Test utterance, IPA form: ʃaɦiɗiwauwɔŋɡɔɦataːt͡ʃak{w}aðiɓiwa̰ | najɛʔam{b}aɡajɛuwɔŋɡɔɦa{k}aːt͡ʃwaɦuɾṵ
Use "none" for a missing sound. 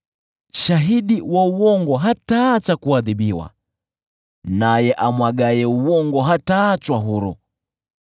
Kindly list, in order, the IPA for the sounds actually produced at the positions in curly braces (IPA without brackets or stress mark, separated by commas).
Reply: u, w, t